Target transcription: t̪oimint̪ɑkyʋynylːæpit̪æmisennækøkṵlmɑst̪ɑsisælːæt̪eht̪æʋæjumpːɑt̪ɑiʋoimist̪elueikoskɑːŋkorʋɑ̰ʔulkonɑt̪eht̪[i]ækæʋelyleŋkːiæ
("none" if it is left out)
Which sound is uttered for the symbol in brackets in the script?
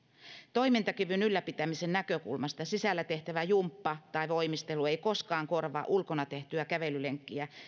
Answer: y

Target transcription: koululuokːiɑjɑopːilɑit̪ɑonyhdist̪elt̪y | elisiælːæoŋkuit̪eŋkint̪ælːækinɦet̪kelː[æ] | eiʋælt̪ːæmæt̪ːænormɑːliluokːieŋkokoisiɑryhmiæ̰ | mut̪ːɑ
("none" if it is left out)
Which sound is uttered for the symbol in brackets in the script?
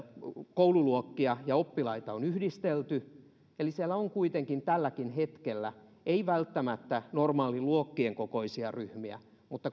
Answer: æ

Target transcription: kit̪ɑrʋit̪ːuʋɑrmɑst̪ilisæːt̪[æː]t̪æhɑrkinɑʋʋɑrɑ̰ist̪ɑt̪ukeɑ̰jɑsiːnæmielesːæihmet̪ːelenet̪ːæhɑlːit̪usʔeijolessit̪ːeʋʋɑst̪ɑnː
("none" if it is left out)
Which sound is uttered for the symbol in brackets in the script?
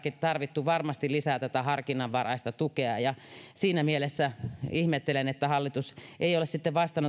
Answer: æ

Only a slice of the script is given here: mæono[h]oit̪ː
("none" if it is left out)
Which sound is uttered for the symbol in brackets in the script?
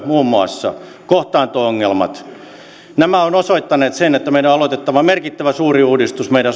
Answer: s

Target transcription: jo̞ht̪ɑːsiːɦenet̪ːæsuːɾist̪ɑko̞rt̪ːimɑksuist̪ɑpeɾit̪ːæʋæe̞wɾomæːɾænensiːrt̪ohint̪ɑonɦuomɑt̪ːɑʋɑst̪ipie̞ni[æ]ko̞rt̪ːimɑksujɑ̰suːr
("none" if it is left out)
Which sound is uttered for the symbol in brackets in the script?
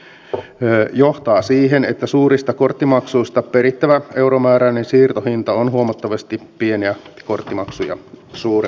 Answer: æ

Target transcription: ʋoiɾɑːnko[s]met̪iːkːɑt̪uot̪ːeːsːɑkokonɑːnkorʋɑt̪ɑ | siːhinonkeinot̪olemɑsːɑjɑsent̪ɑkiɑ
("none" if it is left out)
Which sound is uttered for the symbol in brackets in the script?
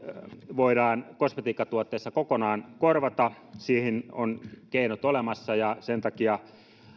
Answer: s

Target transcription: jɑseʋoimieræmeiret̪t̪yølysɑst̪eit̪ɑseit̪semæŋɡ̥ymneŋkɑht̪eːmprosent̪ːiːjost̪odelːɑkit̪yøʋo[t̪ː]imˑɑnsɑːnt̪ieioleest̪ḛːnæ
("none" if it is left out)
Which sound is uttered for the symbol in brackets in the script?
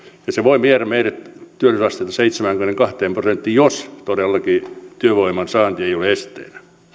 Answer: none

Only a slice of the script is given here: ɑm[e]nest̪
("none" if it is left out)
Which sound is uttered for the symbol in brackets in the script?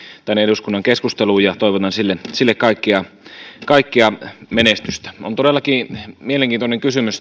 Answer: e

